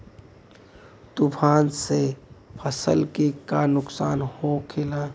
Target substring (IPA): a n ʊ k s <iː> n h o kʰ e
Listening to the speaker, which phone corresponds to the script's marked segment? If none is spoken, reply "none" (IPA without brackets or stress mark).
aː